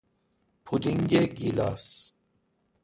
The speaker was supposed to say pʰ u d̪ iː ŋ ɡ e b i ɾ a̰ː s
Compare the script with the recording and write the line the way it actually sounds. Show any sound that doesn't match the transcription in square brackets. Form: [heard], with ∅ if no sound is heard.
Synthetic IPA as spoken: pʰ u d̪ [i] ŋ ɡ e [ɡ] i [l] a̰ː s